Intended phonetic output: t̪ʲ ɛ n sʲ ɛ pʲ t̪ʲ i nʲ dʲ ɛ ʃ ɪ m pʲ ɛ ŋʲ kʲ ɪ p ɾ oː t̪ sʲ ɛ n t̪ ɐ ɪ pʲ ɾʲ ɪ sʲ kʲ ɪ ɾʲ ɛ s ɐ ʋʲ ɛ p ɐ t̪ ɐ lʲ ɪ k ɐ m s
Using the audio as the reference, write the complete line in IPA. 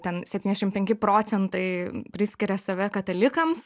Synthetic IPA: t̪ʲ ɛ n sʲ ɛ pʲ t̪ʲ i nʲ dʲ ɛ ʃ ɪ m pʲ ɛ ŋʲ kʲ ɪ p ɾ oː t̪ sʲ ɛ n t̪ ɐ ɪ pʲ ɾʲ ɪ sʲ kʲ ɪ ɾʲ ɛ s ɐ ʋʲ ɛ k ɐ t̪ ɐ lʲ ɪ k ɐ m s